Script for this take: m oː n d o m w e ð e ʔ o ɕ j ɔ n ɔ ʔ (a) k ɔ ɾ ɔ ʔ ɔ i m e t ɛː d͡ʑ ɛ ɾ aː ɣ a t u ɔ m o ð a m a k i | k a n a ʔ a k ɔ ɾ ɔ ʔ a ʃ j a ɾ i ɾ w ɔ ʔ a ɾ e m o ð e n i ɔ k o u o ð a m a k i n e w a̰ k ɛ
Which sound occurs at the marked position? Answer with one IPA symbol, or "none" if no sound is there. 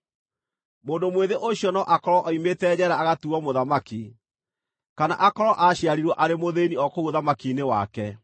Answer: a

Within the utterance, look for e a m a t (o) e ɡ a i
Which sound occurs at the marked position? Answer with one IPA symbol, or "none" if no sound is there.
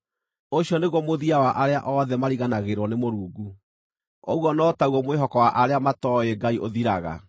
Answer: ɔ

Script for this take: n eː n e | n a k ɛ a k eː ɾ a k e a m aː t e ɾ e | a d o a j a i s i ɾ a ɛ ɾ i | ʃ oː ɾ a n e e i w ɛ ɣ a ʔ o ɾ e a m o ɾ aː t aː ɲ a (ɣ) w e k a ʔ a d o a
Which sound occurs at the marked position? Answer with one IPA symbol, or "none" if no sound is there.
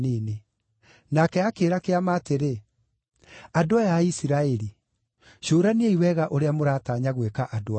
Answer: ɣ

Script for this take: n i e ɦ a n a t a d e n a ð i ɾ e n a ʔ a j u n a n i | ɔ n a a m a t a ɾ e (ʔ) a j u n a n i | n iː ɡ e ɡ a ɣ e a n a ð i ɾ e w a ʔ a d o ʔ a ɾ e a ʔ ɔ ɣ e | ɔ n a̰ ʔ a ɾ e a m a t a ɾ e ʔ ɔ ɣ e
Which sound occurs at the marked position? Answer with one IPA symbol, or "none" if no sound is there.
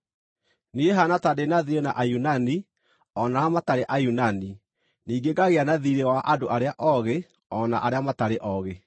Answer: ʔ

